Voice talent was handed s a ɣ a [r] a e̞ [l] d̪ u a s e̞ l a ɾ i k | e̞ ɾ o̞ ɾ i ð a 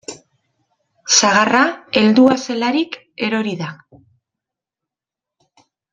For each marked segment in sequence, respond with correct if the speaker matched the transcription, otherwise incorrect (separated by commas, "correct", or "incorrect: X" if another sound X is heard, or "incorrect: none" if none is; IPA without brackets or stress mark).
correct, correct